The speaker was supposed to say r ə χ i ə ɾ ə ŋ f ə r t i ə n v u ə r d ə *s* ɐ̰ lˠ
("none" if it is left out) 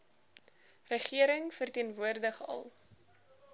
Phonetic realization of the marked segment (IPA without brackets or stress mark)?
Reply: χ